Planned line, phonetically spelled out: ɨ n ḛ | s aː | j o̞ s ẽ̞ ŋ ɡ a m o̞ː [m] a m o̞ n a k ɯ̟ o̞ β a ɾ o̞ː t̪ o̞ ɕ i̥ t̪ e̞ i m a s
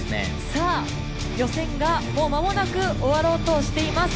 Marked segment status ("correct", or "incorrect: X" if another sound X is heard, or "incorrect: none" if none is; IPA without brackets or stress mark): correct